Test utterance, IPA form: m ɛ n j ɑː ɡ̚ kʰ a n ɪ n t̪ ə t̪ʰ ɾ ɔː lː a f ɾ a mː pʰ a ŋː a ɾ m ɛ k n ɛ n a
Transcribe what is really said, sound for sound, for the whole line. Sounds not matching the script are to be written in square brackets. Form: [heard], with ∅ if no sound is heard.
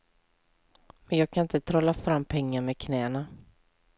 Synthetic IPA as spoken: m ɛ n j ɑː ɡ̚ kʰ a n ɪ n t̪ ə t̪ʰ ɾ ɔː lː a f ɾ a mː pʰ [ɛ] ŋː a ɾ m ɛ [kʰ] n [ɛː] n a

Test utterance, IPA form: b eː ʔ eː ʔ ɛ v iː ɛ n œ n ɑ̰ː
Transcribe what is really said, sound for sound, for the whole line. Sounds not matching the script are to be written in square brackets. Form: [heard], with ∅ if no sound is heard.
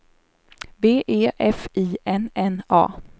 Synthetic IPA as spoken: b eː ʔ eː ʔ ɛ [f] iː ɛ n [ɛ] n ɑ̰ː

